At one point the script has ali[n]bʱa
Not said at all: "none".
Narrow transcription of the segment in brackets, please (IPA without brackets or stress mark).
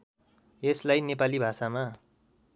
none